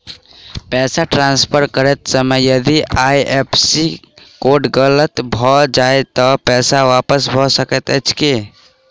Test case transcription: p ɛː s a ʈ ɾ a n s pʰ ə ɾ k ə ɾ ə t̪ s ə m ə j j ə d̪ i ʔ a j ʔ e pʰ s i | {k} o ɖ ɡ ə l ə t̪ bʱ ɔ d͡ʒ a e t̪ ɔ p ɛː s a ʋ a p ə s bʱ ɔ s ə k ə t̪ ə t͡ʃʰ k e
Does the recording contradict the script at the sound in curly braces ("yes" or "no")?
no